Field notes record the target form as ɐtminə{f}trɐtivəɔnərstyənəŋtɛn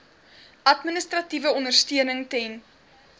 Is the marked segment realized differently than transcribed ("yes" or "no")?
yes